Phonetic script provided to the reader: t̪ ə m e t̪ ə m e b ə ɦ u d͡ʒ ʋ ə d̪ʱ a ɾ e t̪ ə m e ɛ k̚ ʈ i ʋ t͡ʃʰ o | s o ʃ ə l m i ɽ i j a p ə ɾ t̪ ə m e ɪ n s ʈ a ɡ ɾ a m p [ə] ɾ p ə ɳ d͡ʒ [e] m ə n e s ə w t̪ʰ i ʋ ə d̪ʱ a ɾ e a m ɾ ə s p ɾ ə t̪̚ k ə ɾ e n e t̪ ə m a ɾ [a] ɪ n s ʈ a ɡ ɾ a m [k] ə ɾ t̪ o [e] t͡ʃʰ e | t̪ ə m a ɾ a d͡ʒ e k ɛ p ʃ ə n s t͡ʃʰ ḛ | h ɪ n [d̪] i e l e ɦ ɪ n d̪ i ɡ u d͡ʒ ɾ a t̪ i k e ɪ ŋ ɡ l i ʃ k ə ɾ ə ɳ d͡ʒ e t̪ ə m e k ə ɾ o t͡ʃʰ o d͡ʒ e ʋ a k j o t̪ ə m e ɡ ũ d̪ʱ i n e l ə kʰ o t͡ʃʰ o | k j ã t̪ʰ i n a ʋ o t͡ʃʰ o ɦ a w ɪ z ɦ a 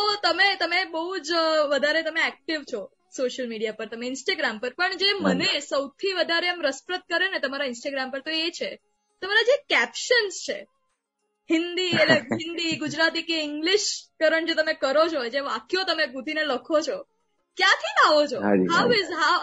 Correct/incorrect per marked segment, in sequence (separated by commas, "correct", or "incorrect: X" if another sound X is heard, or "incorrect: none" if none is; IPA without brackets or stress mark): correct, correct, correct, incorrect: p, correct, correct